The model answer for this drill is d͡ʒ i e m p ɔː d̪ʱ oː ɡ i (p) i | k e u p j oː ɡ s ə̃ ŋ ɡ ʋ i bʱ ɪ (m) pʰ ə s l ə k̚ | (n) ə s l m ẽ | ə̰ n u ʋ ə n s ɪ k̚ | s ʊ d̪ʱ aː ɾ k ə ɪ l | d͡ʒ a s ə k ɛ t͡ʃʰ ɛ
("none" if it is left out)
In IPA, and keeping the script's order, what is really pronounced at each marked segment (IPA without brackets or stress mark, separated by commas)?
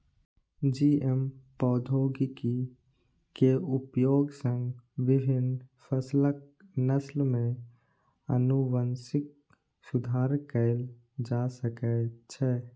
k, n, n